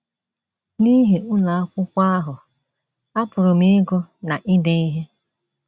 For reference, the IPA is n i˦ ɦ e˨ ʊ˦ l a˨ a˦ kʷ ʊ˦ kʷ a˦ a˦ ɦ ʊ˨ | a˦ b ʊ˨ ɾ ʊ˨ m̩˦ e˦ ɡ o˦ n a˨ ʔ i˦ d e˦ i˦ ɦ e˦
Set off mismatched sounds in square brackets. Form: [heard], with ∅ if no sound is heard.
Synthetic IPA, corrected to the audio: n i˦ ɦ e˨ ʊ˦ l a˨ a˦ kʷ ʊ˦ kʷ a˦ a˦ ɦ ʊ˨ | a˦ [p] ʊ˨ ɾ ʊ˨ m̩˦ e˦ ɡ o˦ n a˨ ʔ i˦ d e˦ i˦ ɦ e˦